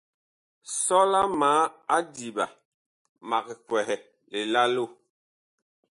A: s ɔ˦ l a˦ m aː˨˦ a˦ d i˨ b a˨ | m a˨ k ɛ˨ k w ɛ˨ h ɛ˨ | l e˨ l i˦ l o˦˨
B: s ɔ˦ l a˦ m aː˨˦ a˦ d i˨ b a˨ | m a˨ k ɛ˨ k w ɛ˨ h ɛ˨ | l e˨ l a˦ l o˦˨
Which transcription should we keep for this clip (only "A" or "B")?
B